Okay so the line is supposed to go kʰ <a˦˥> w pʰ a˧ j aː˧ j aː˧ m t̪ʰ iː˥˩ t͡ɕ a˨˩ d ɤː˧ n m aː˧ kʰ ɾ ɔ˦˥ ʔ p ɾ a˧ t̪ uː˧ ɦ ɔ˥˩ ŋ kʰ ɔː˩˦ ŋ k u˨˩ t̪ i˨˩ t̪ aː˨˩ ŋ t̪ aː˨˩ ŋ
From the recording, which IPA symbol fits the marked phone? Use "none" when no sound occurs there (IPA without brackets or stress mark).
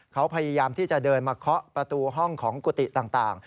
a˦˥